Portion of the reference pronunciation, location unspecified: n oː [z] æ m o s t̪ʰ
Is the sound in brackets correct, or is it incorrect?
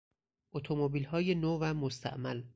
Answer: incorrect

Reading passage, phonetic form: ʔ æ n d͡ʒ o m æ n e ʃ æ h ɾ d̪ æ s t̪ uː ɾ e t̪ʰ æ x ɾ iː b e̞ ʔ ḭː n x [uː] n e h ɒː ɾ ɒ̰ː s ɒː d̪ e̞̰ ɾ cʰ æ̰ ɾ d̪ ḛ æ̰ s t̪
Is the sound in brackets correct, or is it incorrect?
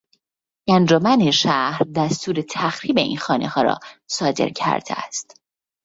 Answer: incorrect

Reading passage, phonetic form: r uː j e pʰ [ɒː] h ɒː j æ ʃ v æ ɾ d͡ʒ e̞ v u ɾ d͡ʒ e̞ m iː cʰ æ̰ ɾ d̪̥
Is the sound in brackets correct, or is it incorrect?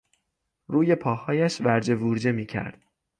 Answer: correct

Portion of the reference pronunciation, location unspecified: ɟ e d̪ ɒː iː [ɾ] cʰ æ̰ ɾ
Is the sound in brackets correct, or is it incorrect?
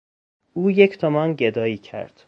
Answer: incorrect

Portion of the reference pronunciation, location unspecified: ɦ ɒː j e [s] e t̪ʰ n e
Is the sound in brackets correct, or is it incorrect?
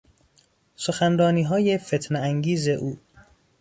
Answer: incorrect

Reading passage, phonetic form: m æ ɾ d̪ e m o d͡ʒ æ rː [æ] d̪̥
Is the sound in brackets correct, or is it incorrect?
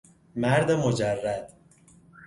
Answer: correct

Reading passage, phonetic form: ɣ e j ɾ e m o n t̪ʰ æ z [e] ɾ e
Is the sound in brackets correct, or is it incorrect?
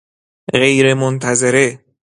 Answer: correct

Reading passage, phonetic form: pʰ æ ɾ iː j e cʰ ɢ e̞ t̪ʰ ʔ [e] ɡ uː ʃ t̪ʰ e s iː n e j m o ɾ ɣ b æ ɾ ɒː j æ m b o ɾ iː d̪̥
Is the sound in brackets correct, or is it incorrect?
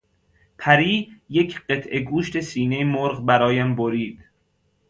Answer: correct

